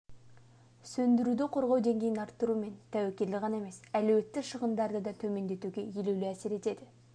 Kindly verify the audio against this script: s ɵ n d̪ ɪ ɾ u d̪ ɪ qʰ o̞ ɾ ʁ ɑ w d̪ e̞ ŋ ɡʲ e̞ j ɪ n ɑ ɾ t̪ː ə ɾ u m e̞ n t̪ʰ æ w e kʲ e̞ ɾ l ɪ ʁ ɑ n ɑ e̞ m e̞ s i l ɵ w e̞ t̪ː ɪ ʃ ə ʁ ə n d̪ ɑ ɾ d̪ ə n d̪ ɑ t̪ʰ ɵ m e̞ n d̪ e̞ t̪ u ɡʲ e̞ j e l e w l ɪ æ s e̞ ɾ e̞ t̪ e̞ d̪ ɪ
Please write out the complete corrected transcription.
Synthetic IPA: s ɵ n d̪ ɪ ɾ u d̪ ɪ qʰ o̞ ɾ ʁ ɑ w d̪ e̞ ŋ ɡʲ e̞ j ɪ n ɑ ɾ t̪ː ə ɾ u m e̞ n t̪ʰ æ w e kʲ e̞ ɾ l ɪ ʁ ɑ n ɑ e̞ m e̞ s æ l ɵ w e̞ t̪ː ɪ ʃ ə ʁ ə n d̪ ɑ ɾ d̪ ə d̪ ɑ t̪ʰ ɵ m e̞ n d̪ e̞ t̪ u ɡʲ e̞ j e l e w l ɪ æ s e̞ ɾ e̞ t̪ e̞ d̪ ɪ